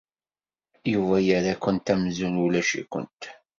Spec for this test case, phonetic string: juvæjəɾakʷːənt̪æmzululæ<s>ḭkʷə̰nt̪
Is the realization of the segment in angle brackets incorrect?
yes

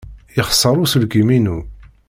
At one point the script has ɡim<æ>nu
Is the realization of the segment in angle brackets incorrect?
yes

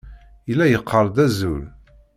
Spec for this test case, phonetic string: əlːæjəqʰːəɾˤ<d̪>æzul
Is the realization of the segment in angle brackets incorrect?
no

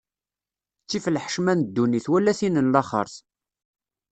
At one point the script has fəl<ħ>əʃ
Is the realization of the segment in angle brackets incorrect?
no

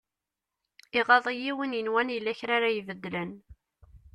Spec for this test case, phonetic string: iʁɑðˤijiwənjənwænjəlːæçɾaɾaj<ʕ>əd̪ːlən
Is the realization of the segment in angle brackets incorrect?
yes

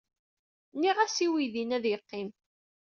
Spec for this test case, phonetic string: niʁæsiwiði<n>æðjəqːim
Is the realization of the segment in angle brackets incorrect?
no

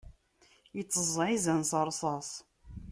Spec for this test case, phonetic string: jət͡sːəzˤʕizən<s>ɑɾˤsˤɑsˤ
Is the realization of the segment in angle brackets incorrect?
no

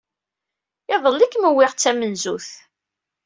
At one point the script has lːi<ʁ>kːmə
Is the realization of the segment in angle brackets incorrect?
yes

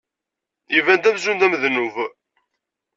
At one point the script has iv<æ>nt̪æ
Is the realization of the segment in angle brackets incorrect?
no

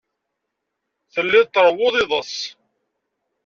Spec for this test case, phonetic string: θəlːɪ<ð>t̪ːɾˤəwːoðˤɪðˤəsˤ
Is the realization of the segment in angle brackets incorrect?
no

